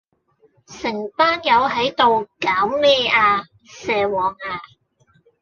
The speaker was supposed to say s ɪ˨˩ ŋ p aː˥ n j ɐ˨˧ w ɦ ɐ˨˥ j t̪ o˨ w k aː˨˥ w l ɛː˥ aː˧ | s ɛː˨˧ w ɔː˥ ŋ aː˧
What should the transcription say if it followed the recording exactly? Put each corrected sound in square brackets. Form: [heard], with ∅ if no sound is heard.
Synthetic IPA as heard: s ɪ˨˩ ŋ p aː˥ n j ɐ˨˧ w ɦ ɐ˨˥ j t̪ o˨ w k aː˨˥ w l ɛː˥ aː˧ | s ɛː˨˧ w [ɔː˨˩] ŋ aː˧